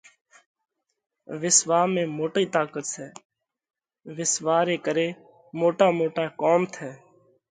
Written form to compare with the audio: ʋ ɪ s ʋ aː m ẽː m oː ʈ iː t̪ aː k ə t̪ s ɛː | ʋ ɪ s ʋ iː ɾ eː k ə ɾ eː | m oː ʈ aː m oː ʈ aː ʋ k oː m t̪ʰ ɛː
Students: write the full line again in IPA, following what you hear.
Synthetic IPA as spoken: ʋ ɪ s ʋ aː m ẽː m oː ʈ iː t̪ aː k ə t̪ s ɛː | ʋ ɪ s ʋ aː ɾ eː k ə ɾ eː | m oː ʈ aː m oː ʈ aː k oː m t̪ʰ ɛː